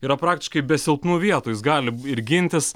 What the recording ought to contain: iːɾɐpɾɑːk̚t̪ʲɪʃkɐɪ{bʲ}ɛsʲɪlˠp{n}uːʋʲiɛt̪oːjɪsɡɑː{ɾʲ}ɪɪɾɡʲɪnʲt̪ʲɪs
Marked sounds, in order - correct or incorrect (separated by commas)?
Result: correct, correct, incorrect